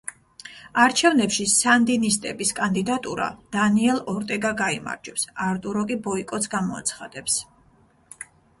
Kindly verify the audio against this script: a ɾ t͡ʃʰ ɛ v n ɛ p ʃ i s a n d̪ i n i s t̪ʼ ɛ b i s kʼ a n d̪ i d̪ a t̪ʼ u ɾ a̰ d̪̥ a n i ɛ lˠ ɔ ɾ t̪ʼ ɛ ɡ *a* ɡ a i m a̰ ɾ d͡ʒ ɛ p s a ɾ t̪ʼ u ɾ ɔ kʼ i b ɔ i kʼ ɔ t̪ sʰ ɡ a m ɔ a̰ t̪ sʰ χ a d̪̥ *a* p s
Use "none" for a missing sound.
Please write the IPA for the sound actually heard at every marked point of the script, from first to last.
a, ɛ

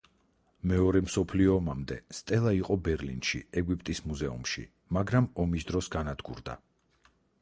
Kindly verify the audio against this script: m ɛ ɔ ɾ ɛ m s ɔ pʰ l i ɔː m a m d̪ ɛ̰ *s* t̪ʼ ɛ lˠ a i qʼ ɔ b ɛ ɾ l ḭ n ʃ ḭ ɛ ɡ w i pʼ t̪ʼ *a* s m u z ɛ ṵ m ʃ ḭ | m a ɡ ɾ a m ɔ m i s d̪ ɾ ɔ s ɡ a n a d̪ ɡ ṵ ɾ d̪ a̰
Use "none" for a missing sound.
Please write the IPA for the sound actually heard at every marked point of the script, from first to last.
s, i

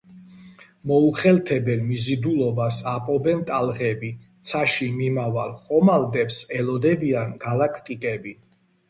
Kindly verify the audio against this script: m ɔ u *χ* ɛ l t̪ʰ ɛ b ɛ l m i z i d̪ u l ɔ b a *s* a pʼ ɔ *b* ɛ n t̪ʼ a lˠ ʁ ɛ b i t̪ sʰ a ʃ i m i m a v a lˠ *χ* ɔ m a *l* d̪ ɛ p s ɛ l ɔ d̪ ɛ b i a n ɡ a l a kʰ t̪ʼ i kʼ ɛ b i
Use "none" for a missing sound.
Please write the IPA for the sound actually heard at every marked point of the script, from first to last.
χ, s, b, χ, l

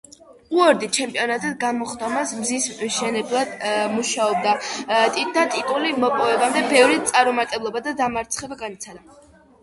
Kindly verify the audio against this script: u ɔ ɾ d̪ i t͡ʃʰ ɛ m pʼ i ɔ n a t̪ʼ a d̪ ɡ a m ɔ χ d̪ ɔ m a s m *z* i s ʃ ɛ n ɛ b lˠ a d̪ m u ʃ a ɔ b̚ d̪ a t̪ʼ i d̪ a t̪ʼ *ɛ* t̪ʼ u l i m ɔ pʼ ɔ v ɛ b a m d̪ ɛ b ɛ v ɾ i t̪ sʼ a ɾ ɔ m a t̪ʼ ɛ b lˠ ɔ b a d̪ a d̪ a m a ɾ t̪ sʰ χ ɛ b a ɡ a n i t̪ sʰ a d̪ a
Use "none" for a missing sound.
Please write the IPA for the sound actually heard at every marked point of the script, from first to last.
z, i

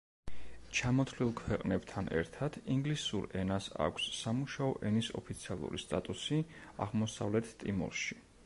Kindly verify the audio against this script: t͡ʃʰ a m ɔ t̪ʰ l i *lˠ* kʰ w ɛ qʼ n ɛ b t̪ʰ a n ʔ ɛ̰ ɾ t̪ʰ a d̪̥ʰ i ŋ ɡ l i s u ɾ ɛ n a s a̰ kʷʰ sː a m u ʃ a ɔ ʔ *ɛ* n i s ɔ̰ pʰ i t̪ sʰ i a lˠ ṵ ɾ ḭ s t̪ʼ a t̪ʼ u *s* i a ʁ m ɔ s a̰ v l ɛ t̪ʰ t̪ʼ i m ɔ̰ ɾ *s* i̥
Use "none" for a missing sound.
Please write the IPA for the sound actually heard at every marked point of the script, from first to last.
lˠ, ɛ, s, ʃ

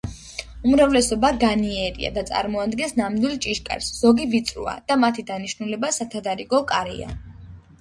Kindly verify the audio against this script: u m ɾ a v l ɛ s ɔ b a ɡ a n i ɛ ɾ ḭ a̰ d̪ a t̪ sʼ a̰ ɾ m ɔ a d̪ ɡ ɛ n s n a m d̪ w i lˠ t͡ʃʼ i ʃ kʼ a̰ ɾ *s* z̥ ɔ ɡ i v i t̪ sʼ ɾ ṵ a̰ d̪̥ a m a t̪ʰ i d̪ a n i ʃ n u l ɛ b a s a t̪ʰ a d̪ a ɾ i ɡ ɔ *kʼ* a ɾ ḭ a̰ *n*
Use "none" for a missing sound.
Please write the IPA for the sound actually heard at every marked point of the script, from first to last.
s, kʼ, none

